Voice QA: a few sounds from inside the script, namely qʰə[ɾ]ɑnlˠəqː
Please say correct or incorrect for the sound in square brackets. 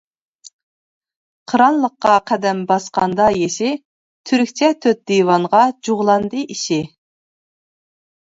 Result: correct